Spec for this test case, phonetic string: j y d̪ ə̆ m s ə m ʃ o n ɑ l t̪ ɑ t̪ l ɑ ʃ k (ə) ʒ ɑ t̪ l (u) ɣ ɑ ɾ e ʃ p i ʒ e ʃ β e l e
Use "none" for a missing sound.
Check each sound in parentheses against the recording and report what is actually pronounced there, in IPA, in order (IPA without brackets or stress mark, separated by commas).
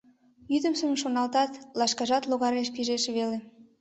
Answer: ɑ, o